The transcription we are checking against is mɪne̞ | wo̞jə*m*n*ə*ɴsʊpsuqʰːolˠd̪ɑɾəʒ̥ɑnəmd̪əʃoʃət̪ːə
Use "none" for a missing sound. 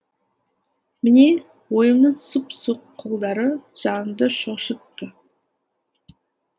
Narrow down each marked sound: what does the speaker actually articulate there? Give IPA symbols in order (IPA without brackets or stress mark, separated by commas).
m, ə